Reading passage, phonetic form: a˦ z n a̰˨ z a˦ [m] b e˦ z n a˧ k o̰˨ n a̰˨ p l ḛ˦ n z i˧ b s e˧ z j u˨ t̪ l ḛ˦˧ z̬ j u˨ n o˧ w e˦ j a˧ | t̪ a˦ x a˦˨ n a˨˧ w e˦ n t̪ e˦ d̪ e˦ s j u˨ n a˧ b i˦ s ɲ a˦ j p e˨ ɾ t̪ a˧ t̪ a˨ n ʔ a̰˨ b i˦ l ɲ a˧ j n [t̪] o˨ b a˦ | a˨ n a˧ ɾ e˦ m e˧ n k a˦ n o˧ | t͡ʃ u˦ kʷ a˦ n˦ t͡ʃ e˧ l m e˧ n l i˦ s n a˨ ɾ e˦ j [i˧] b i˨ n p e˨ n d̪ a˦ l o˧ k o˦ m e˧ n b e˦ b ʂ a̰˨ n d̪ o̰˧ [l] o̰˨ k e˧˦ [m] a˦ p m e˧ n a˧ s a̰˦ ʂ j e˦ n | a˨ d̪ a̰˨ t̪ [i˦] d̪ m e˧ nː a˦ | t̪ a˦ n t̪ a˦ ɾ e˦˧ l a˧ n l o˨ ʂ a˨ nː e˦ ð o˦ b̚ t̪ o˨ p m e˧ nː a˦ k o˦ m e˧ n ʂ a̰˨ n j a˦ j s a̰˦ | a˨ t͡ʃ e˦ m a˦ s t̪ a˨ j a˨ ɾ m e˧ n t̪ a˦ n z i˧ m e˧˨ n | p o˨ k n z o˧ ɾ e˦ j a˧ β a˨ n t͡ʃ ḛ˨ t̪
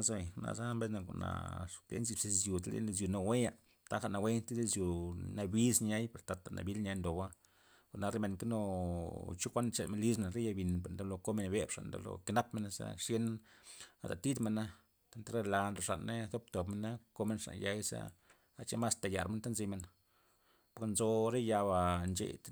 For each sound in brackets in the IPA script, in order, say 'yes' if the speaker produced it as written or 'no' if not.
yes, no, no, yes, no, yes

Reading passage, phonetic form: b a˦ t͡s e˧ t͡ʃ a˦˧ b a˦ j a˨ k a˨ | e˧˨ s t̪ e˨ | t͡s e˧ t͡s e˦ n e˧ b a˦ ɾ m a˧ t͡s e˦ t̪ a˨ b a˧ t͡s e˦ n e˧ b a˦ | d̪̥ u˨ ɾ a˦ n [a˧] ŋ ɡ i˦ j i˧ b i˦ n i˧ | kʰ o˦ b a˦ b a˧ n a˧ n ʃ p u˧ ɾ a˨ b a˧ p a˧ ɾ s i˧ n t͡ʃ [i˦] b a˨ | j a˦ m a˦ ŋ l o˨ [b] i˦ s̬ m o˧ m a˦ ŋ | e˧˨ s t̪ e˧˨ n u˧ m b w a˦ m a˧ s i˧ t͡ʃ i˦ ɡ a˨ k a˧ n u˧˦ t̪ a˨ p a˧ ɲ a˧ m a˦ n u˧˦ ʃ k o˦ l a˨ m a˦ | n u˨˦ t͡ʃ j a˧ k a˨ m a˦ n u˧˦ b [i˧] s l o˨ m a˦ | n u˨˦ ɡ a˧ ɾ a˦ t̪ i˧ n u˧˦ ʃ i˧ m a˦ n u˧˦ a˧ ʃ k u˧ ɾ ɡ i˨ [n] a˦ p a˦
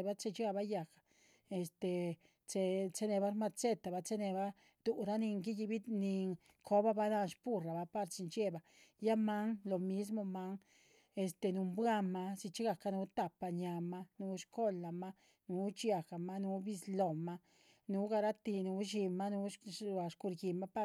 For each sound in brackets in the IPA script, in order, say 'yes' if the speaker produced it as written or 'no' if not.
no, no, no, yes, no

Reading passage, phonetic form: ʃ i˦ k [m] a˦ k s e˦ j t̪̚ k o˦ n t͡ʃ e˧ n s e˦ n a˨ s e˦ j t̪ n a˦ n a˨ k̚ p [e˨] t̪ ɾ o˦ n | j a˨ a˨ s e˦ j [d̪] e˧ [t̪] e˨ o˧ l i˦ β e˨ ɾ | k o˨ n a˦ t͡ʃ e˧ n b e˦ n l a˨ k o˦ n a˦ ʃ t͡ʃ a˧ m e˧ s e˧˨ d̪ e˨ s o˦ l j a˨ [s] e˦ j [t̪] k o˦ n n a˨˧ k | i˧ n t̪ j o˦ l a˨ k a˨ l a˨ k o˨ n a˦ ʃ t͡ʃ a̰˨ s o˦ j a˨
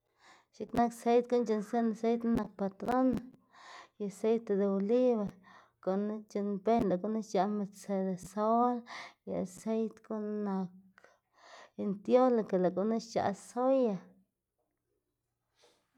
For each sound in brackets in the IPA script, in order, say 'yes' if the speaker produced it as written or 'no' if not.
no, no, no, no, yes, yes

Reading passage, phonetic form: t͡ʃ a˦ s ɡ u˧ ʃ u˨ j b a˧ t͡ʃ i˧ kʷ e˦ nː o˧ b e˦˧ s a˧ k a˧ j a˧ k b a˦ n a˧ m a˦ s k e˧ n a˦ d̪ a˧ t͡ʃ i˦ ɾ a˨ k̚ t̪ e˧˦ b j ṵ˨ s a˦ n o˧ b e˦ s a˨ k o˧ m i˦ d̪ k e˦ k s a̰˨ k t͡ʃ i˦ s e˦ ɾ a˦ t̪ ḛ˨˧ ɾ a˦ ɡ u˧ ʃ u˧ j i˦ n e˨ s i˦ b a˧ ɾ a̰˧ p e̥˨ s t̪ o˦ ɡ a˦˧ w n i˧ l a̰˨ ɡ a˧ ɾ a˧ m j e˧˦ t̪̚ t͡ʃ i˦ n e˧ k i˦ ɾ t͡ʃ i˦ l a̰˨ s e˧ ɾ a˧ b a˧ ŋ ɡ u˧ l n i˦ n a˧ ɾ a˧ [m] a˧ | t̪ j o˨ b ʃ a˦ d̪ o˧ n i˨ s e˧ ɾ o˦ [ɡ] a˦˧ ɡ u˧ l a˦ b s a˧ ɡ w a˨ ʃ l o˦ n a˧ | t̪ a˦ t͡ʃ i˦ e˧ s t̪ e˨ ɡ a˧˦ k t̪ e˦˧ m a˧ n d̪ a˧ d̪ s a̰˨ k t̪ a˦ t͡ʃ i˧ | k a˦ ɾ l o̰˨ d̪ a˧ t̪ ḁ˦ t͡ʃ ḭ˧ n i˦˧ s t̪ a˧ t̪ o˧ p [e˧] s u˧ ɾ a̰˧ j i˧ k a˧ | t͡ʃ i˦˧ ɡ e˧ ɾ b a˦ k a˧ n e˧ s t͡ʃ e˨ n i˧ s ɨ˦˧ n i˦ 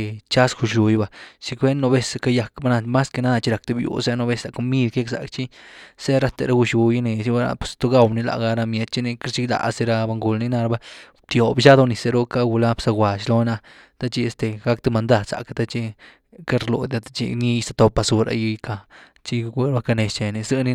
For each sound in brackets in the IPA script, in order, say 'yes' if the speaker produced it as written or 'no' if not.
no, no, no

